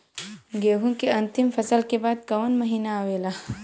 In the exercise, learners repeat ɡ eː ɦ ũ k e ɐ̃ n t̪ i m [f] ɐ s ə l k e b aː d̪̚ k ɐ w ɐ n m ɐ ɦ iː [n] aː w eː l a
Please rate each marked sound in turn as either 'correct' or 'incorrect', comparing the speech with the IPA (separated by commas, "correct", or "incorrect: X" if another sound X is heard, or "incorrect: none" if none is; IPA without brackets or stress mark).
correct, correct